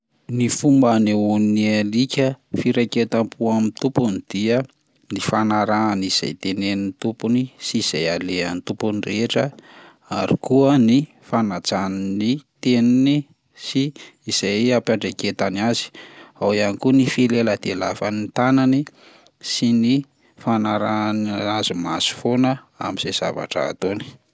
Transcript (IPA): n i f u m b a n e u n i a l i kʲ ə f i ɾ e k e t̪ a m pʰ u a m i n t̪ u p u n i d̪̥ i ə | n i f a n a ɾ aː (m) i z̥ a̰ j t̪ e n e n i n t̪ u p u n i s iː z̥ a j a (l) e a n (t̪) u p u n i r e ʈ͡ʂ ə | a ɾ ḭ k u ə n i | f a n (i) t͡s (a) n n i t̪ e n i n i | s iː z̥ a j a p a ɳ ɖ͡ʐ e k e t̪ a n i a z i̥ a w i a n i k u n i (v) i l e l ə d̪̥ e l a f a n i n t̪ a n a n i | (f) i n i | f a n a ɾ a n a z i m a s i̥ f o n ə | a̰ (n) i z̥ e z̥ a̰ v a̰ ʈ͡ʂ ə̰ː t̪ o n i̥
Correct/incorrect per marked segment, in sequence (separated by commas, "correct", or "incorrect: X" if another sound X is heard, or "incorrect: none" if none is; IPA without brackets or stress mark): incorrect: n, correct, correct, incorrect: a, correct, incorrect: f, incorrect: s, incorrect: m